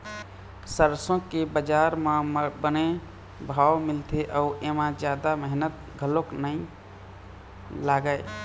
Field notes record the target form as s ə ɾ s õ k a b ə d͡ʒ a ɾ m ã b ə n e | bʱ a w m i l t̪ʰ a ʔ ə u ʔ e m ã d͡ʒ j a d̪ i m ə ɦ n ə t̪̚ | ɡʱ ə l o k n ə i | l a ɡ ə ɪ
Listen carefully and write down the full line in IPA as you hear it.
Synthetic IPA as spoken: s ə ɾ s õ k e b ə d͡ʒ a ɾ m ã b ə n e | bʱ a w m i l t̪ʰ e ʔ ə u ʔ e m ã d͡ʒ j a d̪ a m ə ɦ n ə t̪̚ | ɡʱ ə l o k n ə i | l a ɡ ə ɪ